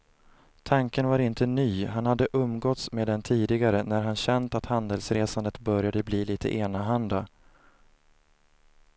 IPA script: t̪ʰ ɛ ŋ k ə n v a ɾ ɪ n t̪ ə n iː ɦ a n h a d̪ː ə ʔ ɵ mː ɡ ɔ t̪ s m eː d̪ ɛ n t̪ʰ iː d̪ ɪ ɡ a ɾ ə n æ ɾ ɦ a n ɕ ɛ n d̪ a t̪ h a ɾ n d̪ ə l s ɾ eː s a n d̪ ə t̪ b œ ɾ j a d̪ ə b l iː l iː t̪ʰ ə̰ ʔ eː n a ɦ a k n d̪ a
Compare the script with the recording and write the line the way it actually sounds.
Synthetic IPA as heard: t̪ʰ a ŋ k ə n v a ɾ ɪ n t̪ ə n yː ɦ a n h a d̪ː ə ʔ ɵ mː ɡ ɔ t̪ s m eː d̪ ɛ n t̪ʰ iː d̪ ɪ ɡ a ɾ ə n æ ɾ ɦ a n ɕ ɛ n t̪ a t̪ h a n d̪ ə l s ɾ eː s a n d̪ ə t̪ b œ ɾ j a d̪ ə b l iː l iː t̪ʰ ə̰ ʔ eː n a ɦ a n d̪ a